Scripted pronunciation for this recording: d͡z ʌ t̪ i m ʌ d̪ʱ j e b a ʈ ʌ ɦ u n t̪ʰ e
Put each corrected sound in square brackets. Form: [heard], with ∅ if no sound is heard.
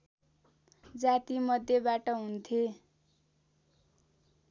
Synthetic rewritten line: d͡z [a] t̪ i m ʌ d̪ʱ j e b a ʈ ʌ ɦ u n t̪ʰ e

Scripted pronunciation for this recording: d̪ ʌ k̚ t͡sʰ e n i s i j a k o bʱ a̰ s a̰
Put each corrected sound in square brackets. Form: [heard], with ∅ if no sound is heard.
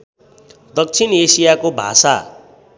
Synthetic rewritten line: d̪ ʌ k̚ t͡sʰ [i] n [e] s i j a k o bʱ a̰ s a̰

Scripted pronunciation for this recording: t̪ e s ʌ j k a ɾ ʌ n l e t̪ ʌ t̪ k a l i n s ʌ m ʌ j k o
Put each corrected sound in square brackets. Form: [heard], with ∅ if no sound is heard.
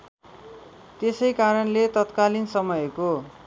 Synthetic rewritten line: t̪ e s ʌ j k a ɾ ʌ n l e t̪ ʌ t̪ k a l i n s ʌ m ʌ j k o

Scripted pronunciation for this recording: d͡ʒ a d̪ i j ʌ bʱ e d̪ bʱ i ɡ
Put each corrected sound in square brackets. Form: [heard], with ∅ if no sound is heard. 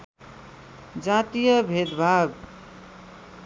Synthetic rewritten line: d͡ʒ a [t̪] i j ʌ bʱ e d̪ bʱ [a] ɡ

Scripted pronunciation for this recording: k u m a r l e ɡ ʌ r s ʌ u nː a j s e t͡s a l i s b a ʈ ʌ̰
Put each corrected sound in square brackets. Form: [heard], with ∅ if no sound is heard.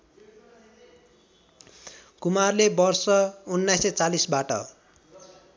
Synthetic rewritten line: k u m a r l e [b] ʌ r s ʌ u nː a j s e t͡s a l i s b a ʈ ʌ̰

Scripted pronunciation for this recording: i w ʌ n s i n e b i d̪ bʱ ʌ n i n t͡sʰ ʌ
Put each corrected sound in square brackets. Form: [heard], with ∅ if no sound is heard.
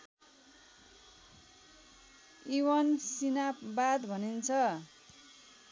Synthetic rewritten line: i w ʌ n s i n [a] b [a] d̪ bʱ ʌ n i n t͡sʰ ʌ

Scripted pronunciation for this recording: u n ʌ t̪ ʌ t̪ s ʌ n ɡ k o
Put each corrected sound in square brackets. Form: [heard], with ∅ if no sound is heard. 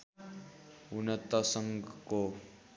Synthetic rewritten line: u n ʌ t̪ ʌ [∅] s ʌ [ŋ] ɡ k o

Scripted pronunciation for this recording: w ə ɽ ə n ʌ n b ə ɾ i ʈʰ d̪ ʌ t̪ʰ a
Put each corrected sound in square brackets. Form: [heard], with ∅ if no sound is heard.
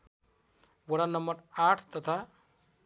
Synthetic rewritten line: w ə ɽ [a] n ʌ [m] b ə ɾ [a] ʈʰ [t̪] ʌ t̪ʰ a

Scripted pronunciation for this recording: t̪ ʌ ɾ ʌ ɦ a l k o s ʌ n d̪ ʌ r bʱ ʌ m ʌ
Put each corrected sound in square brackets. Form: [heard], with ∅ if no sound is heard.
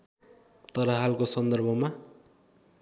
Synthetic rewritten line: t̪ ʌ ɾ ʌ ɦ a l k o s ʌ n d̪ ʌ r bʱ ʌ m [a]

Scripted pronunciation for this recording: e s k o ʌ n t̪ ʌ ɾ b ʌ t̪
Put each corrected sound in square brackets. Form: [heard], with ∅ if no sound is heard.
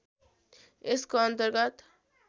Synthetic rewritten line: e s k o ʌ n t̪ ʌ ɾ [ɡ] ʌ t̪

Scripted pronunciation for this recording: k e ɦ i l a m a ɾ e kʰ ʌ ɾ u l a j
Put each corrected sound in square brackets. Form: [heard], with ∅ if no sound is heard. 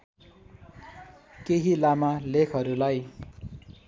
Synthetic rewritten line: k e ɦ i l a m a [l] e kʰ ʌ ɾ u l a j

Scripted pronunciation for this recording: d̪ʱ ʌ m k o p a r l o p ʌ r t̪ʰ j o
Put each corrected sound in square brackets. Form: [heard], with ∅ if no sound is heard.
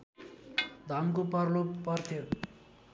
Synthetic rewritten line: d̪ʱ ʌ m k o p [ʌ] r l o p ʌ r t̪ʰ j o

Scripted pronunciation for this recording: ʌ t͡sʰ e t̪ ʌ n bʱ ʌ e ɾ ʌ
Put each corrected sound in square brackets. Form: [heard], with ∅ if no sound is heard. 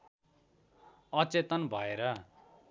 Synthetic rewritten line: ʌ [t͡s] e t̪ ʌ n bʱ ʌ e ɾ ʌ

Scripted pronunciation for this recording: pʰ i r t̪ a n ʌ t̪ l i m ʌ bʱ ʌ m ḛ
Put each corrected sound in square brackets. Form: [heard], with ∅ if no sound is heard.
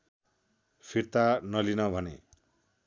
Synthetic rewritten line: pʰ i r t̪ a n ʌ [∅] l i [n] ʌ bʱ ʌ [n] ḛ

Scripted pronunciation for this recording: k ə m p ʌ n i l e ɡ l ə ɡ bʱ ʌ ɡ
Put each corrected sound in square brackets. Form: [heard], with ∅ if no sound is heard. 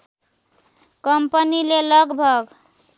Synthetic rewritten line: k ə m p [ə] n i l e [∅] l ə ɡ bʱ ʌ ɡ

